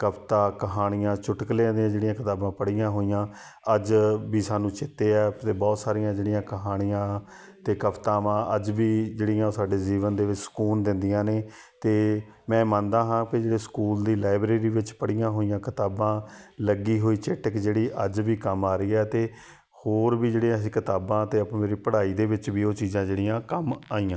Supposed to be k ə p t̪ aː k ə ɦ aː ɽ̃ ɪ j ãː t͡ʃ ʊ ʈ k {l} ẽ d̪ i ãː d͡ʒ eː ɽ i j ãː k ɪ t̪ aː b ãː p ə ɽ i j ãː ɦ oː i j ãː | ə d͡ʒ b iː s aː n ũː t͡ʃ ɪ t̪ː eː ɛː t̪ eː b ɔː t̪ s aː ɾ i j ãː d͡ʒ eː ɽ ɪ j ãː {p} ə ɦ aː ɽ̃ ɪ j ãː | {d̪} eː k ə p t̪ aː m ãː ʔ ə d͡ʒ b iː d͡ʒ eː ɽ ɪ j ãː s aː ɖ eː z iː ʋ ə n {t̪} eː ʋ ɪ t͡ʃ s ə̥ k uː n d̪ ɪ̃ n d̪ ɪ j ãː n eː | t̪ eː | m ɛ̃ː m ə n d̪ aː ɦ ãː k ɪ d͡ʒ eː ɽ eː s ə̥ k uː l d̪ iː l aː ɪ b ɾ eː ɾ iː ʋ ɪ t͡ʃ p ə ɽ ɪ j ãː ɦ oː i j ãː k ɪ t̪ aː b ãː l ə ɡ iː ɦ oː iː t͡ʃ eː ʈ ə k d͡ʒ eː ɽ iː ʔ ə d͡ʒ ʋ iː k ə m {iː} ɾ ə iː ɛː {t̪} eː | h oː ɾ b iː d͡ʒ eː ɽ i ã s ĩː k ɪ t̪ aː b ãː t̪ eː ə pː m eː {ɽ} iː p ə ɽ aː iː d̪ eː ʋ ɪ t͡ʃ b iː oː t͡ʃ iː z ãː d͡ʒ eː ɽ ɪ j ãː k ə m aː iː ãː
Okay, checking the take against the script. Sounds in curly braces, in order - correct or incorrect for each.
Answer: correct, incorrect: k, incorrect: t̪, incorrect: d̪, incorrect: aː, correct, incorrect: ɾ

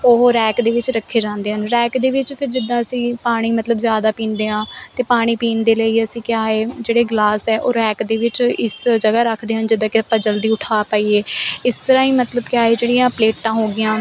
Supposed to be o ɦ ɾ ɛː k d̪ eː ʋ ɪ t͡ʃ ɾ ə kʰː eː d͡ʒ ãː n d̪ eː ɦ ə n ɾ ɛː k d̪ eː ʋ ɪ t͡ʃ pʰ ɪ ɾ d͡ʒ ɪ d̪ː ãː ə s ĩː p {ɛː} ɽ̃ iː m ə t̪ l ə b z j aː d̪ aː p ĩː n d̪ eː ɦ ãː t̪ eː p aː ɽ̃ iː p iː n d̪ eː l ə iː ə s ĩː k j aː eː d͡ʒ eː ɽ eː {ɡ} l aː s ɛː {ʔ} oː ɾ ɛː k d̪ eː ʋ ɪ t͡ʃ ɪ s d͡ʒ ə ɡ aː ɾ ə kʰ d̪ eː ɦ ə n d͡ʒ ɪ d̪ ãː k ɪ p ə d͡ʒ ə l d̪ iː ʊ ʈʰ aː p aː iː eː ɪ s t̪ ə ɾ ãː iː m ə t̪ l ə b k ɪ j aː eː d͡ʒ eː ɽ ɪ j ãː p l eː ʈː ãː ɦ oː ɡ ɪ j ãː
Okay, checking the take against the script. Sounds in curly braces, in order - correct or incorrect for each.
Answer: incorrect: aː, correct, correct

